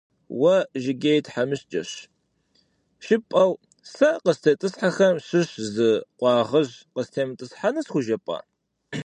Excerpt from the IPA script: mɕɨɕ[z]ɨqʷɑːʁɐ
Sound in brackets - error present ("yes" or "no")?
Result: no